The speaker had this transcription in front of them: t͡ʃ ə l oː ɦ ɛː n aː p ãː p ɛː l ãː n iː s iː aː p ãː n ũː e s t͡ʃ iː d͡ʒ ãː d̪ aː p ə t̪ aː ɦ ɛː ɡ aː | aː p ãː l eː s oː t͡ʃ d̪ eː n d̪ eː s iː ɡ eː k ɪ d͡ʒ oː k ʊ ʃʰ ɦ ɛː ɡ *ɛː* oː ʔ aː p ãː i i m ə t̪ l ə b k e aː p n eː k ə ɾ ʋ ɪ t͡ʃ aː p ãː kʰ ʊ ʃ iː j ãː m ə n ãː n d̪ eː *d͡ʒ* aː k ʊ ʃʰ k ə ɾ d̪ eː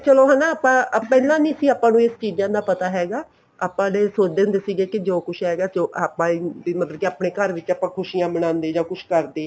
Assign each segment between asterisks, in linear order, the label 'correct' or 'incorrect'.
incorrect, correct

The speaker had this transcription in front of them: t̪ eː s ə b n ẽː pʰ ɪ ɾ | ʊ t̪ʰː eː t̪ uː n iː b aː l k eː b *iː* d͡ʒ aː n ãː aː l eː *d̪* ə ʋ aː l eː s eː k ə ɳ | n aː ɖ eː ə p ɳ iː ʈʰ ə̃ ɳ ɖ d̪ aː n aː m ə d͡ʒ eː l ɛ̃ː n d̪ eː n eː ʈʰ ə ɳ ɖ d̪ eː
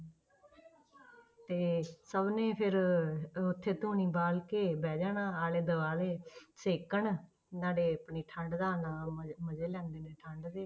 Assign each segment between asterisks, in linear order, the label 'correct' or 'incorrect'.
incorrect, correct

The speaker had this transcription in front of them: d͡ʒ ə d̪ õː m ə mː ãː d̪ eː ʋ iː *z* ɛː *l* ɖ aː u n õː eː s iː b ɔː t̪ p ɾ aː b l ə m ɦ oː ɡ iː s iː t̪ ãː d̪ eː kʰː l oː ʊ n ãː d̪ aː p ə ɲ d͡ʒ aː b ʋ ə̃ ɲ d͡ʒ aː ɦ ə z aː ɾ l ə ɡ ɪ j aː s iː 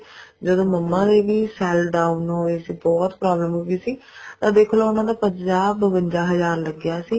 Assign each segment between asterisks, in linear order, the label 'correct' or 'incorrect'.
incorrect, correct

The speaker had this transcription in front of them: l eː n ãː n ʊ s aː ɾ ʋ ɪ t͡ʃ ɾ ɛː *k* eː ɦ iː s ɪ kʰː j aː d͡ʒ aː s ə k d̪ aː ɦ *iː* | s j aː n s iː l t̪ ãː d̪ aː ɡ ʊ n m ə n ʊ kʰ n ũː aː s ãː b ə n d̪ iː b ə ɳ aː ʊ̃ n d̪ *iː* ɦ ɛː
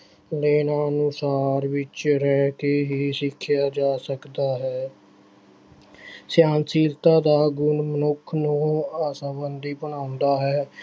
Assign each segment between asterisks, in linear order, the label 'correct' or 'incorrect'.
correct, incorrect, incorrect

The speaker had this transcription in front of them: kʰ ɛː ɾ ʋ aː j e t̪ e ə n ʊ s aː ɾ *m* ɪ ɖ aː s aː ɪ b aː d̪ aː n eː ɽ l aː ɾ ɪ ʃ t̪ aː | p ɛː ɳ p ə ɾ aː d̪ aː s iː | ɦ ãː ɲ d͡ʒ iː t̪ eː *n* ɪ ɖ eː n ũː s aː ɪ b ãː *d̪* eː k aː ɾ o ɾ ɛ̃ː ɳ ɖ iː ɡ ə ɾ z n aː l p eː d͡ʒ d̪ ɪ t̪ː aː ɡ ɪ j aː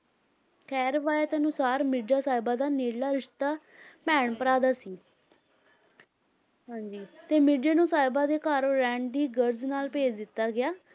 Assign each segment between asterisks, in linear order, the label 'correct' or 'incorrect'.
correct, incorrect, correct

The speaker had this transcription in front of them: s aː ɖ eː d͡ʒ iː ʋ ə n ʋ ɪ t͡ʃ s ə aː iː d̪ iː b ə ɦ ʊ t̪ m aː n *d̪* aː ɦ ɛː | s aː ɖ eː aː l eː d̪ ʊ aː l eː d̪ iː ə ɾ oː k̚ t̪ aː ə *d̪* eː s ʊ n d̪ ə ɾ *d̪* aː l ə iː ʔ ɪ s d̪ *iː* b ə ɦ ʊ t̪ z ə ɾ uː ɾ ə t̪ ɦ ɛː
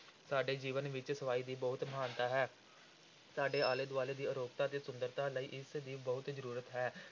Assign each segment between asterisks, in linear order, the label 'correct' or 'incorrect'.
incorrect, incorrect, incorrect, correct

